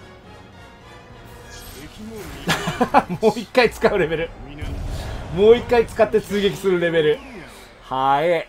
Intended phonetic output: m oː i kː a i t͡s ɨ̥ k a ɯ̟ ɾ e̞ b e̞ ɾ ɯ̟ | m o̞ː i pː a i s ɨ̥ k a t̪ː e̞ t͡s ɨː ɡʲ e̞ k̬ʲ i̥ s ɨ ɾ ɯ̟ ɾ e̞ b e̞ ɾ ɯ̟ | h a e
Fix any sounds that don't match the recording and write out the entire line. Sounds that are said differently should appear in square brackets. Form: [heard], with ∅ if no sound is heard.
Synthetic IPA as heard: m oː i kː a i t͡s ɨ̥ k a ɯ̟ ɾ e̞ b e̞ ɾ ɯ̟ | m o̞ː i [kː] a i [t͡s] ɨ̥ k a t̪ː e̞ t͡s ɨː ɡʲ e̞ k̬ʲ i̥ s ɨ ɾ ɯ̟ ɾ e̞ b e̞ ɾ ɯ̟ | h a e